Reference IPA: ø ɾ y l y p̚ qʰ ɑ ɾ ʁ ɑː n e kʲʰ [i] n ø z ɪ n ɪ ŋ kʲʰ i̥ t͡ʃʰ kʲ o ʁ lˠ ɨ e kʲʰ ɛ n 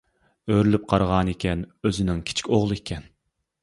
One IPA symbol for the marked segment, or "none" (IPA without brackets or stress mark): ɛ